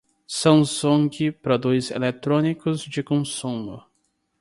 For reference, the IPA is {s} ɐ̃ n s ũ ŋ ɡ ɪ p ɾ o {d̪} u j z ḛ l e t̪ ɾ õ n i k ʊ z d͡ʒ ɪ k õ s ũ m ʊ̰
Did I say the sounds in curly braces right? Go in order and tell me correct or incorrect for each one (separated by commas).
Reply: correct, correct